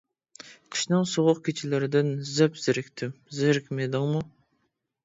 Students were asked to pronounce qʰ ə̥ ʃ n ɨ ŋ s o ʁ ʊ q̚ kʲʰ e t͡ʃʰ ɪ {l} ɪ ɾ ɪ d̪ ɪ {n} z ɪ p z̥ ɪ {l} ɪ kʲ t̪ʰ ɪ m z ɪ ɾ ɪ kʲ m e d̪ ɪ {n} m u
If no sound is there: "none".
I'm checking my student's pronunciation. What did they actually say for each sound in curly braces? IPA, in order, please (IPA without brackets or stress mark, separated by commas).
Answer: l, n, ɾ, ŋ